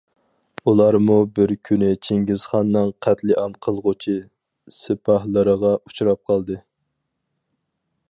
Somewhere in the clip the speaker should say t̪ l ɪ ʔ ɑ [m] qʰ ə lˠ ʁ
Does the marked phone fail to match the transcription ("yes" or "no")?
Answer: no